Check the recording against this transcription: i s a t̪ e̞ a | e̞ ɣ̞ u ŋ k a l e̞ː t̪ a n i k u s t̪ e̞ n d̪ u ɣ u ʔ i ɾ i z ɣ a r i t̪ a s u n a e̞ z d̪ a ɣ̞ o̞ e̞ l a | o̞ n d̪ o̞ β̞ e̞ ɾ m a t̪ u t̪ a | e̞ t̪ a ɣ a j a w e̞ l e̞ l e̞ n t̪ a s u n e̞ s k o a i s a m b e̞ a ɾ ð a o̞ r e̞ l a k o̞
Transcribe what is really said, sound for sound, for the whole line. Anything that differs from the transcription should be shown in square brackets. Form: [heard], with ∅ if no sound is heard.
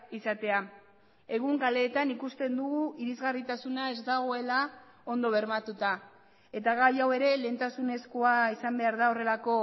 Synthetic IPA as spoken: i s a t̪ e̞ a | e̞ ɣ̞ u ŋ k a l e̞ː t̪ a n i k u s t̪ e̞ n d̪ u ɣ u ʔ i ɾ i z ɣ a r i t̪ a s u n a e̞ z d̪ a ɣ̞ o̞ e̞ l a | o̞ n d̪ o̞ β̞ e̞ ɾ m a t̪ u t̪ a | e̞ t̪ a ɣ a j a w e̞ [ɾ] e̞ l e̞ n t̪ a s u n e̞ s k o a i s a m b e̞ a ɾ ð a o̞ r e̞ l a k o̞